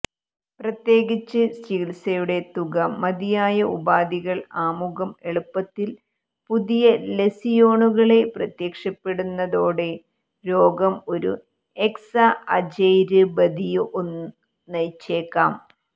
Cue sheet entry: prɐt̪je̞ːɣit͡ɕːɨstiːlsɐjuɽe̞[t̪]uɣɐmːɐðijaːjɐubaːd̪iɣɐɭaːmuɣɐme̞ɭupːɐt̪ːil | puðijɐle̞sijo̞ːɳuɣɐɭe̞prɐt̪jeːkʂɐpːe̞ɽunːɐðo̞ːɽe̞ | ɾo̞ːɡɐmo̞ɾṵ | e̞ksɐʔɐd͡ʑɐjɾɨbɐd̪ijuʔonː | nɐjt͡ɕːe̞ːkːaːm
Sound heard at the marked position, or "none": t̪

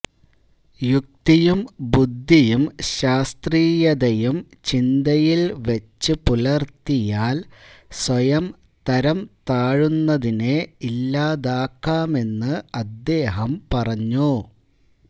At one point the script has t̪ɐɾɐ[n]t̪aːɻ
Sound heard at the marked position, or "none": m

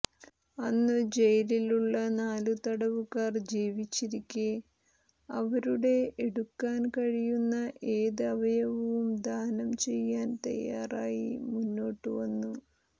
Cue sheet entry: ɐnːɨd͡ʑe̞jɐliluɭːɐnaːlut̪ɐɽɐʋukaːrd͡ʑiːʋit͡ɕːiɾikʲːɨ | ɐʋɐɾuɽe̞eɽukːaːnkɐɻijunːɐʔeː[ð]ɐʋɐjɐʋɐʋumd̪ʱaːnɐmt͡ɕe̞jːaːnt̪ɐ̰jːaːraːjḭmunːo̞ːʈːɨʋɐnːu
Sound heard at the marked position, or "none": ð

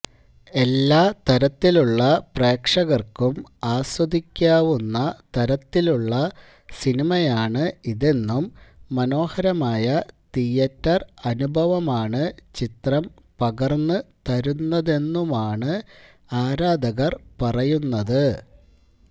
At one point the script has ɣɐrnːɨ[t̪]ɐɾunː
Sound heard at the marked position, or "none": t̪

